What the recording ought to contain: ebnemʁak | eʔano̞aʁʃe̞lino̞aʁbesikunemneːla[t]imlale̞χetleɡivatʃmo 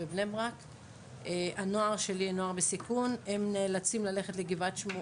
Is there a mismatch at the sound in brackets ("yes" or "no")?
yes